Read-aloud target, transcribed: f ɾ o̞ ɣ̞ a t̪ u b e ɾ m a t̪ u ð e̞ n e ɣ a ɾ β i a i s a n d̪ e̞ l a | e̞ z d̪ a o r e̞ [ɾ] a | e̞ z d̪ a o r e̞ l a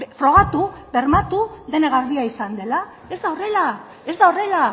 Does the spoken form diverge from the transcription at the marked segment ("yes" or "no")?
yes